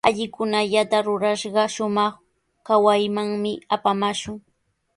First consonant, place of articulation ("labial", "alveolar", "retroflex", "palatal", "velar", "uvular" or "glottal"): palatal